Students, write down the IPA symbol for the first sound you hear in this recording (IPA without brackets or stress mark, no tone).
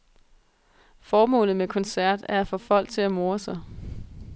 f